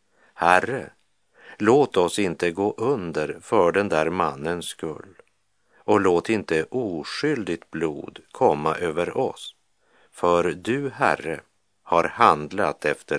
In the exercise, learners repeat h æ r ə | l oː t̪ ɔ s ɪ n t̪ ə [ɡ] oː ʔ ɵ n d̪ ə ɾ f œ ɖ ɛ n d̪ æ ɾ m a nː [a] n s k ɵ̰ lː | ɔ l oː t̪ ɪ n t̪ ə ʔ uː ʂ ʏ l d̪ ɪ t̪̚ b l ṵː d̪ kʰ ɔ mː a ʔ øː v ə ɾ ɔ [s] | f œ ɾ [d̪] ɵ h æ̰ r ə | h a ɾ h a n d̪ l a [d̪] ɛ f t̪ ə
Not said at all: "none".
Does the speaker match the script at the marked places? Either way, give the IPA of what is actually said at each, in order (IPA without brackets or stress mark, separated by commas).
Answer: ɡ, ə, s, d̪, t̪